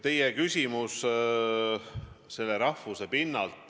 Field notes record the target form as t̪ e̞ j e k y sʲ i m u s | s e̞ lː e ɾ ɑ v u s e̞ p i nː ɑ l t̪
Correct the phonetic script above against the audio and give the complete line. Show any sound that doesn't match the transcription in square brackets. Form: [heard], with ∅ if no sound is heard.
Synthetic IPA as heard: t̪ e̞ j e k y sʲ i m u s | s e̞ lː e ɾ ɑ [f] u s e̞ p i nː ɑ l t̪